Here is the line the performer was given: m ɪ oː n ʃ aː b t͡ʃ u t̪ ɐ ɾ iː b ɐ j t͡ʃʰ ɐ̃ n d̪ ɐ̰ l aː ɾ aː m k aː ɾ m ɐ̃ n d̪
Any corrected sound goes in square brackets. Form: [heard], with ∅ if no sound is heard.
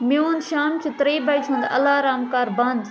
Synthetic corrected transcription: m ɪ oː n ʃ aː [m] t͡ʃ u t̪ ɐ ɾ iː b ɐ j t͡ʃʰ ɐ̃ n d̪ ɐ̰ l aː ɾ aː m k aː ɾ [b] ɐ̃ n d̪